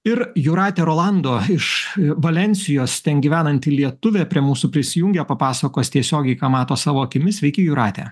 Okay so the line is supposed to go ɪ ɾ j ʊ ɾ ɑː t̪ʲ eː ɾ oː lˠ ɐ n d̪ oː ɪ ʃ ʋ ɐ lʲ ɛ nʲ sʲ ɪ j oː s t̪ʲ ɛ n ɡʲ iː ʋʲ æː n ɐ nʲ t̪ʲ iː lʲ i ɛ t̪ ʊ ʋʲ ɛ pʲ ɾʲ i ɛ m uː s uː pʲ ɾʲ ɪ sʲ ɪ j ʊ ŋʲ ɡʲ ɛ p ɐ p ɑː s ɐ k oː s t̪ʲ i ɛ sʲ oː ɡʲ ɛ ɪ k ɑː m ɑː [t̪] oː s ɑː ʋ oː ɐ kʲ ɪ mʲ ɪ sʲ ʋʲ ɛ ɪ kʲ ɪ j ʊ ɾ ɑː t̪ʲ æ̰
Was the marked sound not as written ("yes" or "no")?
no